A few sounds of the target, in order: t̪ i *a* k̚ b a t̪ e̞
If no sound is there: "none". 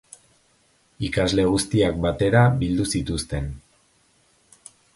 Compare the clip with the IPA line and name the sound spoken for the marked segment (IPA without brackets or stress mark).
a